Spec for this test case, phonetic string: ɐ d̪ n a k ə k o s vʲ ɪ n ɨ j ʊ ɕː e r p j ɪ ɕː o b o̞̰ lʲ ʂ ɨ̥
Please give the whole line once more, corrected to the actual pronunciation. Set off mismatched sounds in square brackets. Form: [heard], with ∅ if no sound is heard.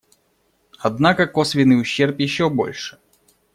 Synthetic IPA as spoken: ɐ d̪ n a k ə k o s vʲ ɪ n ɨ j ʊ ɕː e r p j ɪ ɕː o b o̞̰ lʲ ʂ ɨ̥